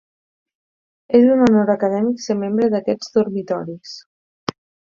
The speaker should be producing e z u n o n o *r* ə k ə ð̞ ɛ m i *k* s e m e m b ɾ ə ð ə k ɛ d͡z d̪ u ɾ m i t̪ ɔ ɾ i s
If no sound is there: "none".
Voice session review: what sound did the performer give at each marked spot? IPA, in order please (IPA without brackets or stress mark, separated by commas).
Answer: ɾ, k